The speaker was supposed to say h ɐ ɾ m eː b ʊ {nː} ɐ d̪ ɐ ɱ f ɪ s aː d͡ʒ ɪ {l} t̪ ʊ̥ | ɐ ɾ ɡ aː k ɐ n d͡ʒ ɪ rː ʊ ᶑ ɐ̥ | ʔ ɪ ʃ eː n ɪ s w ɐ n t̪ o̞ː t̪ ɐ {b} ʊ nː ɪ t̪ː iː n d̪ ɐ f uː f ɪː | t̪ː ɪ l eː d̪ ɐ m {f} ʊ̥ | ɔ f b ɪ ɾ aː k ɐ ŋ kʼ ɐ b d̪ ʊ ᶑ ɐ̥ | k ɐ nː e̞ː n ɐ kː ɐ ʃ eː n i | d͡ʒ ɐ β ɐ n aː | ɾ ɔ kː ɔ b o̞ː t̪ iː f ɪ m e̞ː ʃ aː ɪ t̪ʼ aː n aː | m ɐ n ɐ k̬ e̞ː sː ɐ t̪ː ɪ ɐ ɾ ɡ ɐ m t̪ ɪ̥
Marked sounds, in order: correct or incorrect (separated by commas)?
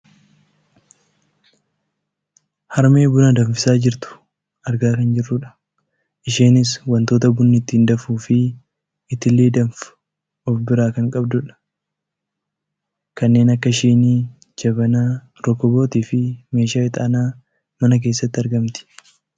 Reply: incorrect, incorrect, correct, correct